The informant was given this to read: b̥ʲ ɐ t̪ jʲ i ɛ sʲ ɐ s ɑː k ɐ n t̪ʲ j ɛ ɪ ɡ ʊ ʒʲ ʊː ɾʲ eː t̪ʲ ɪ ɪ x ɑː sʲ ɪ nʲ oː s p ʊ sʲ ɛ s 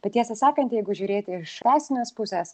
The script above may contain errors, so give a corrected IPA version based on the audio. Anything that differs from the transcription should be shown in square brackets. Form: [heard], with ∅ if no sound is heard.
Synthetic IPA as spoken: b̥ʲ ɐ t̪ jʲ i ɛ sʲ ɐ s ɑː k ɐ n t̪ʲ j ɛ ɪ ɡ ʊ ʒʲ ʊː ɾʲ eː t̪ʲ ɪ ɪ [ʃ] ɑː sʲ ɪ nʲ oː s p ʊ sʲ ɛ s